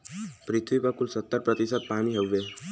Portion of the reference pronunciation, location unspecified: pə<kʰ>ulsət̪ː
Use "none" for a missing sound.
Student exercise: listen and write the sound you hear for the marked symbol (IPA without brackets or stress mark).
k